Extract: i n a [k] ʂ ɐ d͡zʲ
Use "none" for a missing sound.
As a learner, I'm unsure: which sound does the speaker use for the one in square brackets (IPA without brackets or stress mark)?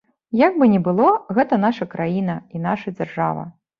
none